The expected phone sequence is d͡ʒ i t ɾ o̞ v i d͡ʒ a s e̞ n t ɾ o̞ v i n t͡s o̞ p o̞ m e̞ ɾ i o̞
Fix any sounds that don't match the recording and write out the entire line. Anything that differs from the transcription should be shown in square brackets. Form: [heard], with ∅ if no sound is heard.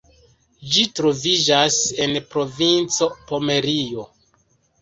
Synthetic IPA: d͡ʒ i t ɾ o̞ v i d͡ʒ a s e̞ n [p] ɾ o̞ v i n t͡s o̞ p o̞ m e̞ ɾ i o̞